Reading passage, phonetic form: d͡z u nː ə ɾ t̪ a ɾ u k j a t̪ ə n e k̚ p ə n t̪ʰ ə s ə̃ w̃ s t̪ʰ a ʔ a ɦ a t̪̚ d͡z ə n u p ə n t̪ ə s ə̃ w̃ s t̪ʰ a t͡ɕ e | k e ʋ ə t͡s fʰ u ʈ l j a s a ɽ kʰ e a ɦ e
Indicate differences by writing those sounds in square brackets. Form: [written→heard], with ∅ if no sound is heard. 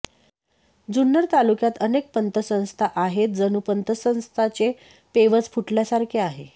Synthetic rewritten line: d͡z u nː ə ɾ t̪ a [ɾ→l] u k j a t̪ ə n e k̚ p ə n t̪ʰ ə s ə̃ w̃ s t̪ʰ a ʔ a ɦ [a→e] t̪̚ d͡z ə n u p ə n t̪ ə s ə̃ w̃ s t̪ʰ a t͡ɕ e | [k→p] e ʋ ə t͡s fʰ u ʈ l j a s a [ɽ→ɾ] kʰ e a ɦ e